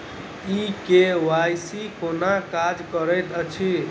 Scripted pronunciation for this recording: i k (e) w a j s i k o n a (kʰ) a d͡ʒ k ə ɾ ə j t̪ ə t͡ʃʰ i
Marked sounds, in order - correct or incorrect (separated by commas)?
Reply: correct, incorrect